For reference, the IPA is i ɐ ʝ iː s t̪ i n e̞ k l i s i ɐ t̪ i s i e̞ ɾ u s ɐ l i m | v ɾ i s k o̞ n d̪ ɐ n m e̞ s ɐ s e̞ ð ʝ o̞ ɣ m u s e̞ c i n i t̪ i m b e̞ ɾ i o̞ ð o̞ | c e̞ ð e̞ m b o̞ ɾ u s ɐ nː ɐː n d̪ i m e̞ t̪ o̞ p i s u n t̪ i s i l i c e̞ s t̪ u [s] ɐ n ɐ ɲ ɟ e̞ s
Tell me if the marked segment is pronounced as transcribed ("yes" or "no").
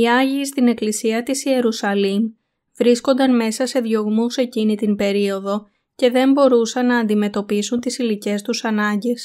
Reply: yes